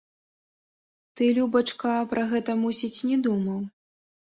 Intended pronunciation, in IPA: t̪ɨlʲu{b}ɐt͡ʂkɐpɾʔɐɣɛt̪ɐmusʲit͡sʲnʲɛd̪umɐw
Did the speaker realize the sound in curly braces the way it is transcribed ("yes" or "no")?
yes